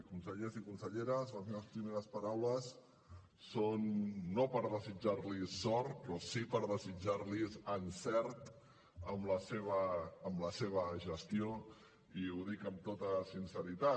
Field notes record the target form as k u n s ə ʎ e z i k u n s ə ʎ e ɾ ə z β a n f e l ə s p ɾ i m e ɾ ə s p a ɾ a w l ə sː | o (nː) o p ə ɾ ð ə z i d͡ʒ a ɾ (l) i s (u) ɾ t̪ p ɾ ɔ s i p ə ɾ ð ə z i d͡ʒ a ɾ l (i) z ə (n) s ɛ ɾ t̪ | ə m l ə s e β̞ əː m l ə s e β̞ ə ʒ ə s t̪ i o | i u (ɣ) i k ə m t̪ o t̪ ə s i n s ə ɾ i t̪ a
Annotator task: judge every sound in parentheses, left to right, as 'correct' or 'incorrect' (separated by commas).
correct, correct, incorrect, correct, correct, incorrect